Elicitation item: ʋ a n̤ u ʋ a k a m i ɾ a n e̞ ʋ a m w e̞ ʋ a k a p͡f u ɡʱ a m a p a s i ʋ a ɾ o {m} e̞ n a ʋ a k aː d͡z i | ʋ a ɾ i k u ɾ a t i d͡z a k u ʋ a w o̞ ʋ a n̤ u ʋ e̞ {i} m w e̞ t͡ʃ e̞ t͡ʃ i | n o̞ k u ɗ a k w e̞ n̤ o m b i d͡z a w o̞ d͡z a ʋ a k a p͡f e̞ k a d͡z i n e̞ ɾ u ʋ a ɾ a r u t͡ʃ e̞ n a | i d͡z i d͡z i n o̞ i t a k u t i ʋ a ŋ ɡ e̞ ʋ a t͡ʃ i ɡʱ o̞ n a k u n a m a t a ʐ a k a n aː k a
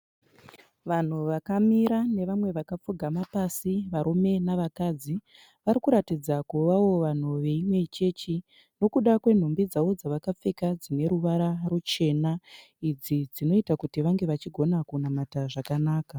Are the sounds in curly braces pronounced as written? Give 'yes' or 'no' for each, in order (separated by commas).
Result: yes, yes